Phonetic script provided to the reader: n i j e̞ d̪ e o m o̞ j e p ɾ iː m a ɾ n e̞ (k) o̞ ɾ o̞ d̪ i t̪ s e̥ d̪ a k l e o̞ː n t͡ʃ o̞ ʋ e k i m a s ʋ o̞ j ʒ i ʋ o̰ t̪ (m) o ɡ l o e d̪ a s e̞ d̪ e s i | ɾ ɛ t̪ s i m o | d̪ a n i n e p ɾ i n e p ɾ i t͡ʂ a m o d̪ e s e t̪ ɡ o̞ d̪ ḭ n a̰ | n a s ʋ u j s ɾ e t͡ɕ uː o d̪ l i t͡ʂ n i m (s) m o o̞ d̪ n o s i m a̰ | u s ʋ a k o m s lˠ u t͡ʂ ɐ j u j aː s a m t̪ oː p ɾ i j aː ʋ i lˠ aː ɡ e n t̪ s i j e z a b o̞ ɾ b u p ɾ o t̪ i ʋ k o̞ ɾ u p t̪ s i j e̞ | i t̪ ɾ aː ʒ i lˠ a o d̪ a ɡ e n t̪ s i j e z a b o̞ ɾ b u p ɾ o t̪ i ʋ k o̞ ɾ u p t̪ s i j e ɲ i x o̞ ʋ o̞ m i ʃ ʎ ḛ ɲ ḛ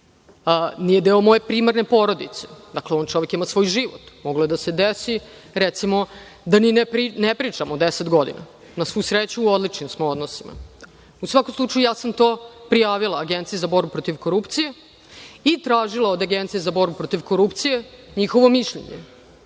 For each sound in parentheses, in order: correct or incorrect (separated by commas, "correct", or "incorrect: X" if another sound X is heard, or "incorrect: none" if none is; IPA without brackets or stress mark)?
incorrect: p, correct, correct